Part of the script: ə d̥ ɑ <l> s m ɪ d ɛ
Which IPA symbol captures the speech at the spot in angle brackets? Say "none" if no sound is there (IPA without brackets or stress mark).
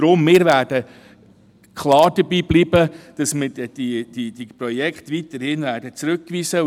none